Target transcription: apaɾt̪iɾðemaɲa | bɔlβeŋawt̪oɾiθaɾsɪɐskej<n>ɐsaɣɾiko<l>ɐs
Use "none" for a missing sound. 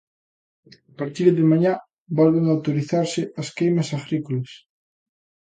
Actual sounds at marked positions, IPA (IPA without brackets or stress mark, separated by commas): m, l